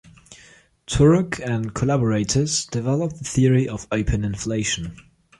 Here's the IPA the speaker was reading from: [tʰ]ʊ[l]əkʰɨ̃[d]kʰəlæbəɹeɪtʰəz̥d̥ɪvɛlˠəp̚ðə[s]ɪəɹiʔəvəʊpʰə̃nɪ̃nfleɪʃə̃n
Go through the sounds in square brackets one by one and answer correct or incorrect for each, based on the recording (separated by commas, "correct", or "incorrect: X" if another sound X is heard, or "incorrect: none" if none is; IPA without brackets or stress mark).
correct, incorrect: ɹ, incorrect: n, incorrect: θ